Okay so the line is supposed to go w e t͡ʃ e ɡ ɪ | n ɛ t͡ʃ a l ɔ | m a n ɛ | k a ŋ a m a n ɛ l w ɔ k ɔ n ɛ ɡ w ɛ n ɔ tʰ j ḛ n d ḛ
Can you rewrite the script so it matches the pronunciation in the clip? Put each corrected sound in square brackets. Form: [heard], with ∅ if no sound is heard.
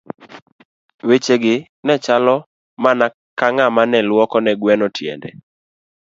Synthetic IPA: w e t͡ʃ e ɡ ɪ | n ɛ t͡ʃ a l ɔ | m a n [a] | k a ŋ a m a n ɛ l w ɔ k ɔ n ɛ ɡ w ɛ n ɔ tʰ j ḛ n d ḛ